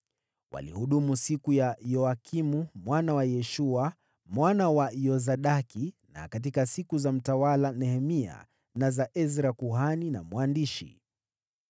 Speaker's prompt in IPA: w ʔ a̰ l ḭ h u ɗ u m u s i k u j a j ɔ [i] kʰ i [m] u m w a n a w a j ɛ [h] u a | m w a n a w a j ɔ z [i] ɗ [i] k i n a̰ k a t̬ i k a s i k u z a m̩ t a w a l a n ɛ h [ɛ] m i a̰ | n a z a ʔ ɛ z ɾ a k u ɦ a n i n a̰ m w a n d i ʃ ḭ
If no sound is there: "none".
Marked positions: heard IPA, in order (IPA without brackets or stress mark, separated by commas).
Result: a, m, ʃ, a, a, ɛ